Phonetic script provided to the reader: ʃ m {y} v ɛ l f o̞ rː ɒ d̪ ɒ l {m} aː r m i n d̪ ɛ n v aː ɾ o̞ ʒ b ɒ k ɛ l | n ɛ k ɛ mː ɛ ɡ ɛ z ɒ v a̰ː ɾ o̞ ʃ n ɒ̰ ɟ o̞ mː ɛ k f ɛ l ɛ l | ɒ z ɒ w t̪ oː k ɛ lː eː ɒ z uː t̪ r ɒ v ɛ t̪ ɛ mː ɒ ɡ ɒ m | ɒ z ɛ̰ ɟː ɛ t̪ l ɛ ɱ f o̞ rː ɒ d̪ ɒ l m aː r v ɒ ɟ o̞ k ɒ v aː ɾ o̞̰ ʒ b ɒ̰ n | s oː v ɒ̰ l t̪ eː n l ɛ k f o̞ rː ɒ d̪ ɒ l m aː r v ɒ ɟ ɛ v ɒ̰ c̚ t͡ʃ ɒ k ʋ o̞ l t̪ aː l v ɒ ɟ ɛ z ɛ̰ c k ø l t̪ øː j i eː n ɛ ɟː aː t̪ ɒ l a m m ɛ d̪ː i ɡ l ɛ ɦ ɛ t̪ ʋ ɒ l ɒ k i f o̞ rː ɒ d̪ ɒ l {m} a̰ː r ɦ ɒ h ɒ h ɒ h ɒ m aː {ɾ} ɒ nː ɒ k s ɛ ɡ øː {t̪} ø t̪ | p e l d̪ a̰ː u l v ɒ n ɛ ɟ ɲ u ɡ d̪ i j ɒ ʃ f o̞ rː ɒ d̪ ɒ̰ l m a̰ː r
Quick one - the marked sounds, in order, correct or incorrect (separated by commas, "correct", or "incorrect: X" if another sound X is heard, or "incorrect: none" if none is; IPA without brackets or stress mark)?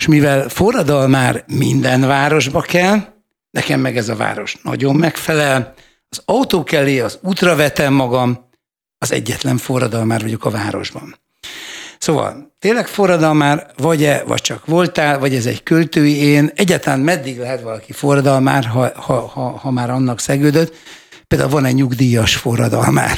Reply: incorrect: i, correct, correct, correct, incorrect: d̪